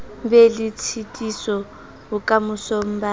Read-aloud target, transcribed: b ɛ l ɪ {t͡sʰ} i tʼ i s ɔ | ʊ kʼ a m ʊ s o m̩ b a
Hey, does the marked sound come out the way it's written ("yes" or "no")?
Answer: yes